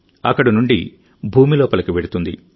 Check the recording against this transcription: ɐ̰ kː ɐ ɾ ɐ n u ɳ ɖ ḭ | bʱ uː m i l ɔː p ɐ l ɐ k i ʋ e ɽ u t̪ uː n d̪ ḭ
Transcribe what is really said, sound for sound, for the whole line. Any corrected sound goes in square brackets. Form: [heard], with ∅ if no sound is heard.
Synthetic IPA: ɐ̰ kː ɐ [ɽ] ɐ n u ɳ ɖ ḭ | bʱ uː m i l ɔː p ɐ l ɐ k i ʋ e ɽ u t̪ [u] n d̪ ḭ